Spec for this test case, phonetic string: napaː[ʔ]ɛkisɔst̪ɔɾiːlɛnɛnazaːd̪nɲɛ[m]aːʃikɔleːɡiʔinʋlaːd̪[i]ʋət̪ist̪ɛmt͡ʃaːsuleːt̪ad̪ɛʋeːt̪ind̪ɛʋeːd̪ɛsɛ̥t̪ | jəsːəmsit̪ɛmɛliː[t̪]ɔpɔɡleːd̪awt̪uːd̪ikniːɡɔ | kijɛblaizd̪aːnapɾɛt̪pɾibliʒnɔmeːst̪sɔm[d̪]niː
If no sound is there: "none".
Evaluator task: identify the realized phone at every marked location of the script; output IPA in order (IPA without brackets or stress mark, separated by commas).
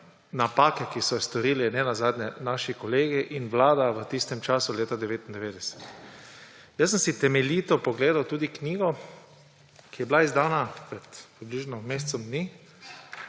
k, n, a, t̪, d̪